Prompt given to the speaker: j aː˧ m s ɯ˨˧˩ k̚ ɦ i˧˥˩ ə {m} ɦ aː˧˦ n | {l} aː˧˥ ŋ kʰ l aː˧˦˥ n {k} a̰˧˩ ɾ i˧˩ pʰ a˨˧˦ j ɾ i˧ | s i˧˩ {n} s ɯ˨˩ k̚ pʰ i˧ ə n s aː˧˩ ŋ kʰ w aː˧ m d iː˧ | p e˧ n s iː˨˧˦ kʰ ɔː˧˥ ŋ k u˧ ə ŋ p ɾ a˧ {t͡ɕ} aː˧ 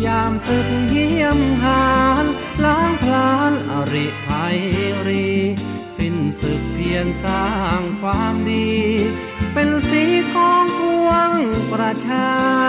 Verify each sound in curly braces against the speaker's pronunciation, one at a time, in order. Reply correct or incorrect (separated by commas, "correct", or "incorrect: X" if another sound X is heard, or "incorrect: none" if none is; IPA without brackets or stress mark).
correct, correct, incorrect: ʔ, correct, incorrect: t͡ɕʰ